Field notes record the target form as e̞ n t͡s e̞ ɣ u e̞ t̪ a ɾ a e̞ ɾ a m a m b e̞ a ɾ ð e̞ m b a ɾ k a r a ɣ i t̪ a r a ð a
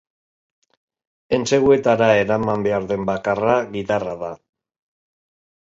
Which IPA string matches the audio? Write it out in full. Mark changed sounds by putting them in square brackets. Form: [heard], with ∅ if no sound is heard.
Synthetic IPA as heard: e̞ n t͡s e̞ ɣ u e̞ t̪ a ɾ a e̞ ɾ a m a m b e̞ a ɾ ð e̞ m b a [∅] k a r a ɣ i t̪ a r a ð a